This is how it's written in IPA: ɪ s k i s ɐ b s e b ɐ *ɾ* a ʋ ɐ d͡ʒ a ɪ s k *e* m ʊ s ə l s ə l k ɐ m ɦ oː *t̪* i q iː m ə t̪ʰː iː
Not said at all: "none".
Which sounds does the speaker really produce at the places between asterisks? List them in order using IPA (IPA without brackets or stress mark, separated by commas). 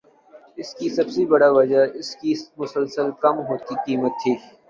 ɽ, i, t̪